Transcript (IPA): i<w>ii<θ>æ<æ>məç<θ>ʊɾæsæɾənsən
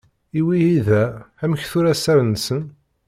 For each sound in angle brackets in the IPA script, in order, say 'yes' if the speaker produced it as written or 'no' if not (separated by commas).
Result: yes, no, yes, yes